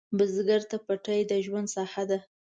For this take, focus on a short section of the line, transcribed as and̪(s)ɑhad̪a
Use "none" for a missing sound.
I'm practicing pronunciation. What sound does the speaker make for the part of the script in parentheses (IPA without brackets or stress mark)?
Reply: s